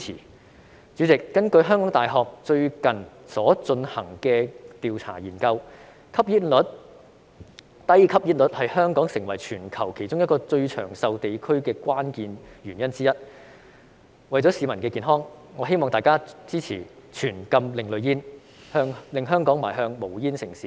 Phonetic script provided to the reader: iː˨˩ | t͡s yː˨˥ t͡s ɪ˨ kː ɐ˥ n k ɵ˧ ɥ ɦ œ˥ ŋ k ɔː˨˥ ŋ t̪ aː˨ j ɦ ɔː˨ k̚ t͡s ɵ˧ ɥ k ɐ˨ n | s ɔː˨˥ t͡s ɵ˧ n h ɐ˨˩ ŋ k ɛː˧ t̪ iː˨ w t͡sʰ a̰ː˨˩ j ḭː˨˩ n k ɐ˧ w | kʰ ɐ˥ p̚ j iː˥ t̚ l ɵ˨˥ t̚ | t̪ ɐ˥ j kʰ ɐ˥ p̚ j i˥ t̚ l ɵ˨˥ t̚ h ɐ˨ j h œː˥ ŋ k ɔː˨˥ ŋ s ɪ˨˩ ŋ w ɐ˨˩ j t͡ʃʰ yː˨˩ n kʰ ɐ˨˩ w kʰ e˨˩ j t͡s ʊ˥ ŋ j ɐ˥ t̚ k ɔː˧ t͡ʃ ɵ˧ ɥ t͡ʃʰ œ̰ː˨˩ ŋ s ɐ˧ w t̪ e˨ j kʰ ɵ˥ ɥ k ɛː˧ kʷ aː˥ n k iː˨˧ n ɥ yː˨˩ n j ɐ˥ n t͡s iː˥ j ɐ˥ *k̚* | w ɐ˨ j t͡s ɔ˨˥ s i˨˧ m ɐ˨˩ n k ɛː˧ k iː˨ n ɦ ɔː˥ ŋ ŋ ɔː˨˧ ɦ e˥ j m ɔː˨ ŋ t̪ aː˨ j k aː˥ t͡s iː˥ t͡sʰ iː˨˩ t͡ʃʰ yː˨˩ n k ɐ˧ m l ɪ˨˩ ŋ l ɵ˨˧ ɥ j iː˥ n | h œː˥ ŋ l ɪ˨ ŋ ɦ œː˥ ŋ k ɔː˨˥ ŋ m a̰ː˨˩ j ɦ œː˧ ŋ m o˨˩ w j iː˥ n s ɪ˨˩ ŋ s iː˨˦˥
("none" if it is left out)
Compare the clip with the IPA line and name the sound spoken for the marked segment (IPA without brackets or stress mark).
t̚